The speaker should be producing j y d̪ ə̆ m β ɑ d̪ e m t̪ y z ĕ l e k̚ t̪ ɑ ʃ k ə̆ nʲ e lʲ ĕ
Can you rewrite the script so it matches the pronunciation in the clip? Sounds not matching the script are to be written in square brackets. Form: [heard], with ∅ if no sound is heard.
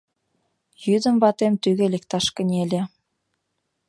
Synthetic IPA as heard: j y d̪ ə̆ m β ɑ [t̪] e m t̪ y [ɣ] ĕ l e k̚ t̪ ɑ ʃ k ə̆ nʲ e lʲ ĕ